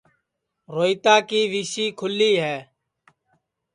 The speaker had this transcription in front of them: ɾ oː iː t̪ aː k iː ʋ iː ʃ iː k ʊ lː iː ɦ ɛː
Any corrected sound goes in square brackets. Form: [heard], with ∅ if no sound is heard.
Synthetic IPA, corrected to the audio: ɾ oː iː t̪ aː k iː ʋ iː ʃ iː [kʰ] ʊ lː iː ɦ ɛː